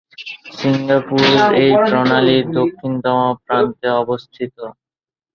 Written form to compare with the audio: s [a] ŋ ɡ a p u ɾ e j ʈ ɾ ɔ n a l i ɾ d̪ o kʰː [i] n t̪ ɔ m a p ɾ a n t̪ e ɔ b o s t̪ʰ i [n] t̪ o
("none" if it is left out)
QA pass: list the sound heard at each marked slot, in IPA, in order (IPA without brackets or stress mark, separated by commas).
i, i, none